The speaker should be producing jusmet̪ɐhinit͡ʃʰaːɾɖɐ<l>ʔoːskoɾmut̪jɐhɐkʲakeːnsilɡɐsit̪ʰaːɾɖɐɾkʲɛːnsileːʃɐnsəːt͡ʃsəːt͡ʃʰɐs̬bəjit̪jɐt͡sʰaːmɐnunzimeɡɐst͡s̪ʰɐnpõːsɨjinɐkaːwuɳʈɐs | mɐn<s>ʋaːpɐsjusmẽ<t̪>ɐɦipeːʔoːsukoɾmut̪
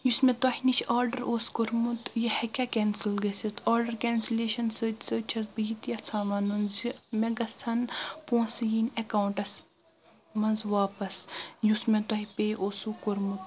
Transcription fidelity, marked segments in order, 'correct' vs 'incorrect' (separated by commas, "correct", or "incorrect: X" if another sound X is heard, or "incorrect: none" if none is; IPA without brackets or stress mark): incorrect: ɾ, incorrect: z, correct